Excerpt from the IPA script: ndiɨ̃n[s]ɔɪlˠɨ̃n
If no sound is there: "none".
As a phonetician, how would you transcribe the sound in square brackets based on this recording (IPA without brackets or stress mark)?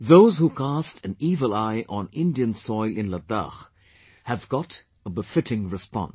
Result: s